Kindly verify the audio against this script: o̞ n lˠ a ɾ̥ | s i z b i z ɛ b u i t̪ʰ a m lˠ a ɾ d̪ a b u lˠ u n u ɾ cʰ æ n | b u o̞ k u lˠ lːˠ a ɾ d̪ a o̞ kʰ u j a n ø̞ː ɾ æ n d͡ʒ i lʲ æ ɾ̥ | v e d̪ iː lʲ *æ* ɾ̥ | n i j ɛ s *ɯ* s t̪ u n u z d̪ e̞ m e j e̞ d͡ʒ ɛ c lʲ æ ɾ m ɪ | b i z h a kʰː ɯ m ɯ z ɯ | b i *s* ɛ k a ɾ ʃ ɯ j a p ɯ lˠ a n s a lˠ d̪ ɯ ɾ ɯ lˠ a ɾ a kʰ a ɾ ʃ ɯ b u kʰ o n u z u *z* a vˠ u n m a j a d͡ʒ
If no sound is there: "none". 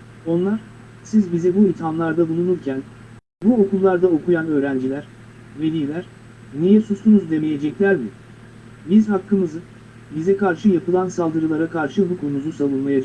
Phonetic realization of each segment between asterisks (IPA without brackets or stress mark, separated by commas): æ, u, z, s